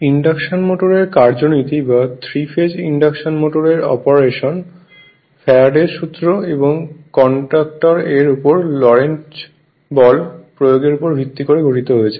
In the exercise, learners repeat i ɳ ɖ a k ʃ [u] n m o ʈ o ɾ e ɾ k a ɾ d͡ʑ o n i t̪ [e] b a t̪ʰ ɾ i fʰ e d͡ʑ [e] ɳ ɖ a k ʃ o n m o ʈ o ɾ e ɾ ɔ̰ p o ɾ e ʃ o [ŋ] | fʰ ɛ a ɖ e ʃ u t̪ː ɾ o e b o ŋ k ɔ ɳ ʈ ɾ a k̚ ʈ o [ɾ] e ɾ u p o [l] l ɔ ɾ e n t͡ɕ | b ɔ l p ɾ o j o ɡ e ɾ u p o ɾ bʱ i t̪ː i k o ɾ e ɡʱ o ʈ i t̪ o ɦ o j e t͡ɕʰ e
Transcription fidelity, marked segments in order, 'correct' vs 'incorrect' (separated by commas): incorrect, incorrect, incorrect, incorrect, correct, incorrect